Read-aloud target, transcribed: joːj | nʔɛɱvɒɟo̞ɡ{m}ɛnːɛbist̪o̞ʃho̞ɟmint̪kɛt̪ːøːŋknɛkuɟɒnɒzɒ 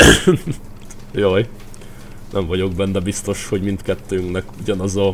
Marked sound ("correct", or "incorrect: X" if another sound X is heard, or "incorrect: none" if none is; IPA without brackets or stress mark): incorrect: b